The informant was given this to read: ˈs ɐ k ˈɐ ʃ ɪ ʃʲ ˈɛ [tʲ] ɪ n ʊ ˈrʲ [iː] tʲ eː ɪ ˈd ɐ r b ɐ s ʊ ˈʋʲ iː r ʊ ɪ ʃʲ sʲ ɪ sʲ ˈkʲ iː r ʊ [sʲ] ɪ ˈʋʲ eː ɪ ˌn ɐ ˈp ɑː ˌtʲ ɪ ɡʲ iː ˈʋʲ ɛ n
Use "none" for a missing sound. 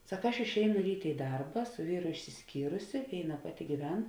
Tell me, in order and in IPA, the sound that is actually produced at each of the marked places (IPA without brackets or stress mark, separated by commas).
none, iː, sʲ